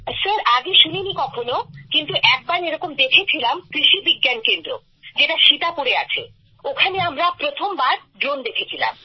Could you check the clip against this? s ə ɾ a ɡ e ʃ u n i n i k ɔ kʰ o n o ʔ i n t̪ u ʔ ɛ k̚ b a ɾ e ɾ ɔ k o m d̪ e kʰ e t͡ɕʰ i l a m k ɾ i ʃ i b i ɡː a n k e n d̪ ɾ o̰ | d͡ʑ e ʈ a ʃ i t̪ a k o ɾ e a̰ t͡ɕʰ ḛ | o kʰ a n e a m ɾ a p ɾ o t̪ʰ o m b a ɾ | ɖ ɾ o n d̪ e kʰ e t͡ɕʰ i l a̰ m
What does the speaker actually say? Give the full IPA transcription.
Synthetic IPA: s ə ɾ a ɡ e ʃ u n i n i k ɔ kʰ o n o k i n t̪ u ʔ ɛ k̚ b a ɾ e ɾ ɔ k o m d̪ e kʰ e t͡ɕʰ i l a m k ɾ i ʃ i b i ɡː a n k e n d̪ ɾ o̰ | d͡ʑ e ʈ a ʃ i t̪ a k o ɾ e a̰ t͡ɕʰ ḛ | o kʰ a n e a m ɾ a p ɾ o t̪ʰ o m b a ɾ | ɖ ɾ o n d̪ e kʰ e t͡ɕʰ i l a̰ m